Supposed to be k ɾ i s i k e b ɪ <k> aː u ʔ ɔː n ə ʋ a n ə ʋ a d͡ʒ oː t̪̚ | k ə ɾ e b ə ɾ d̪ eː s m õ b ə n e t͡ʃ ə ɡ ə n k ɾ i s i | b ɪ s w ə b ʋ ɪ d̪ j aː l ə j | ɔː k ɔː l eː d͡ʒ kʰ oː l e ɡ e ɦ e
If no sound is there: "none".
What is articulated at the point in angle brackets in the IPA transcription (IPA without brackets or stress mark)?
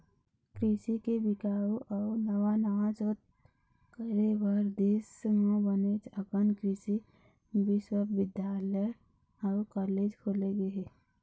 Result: k